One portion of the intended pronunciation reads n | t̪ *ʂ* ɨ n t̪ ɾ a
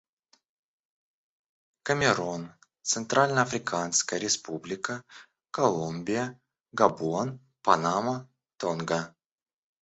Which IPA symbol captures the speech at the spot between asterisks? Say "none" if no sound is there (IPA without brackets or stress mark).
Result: s